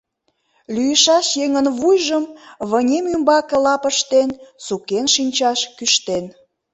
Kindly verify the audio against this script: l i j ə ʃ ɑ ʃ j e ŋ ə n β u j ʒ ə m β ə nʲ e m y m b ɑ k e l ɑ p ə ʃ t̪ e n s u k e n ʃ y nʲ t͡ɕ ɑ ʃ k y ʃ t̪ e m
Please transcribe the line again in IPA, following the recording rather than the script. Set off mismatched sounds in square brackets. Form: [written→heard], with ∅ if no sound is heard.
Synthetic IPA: l [i→y] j ə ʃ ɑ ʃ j e ŋ ə n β u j ʒ ə m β ə nʲ e m y m b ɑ k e l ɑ p ə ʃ t̪ e n s u k e n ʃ [y→i] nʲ t͡ɕ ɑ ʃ k y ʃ t̪ e [m→n]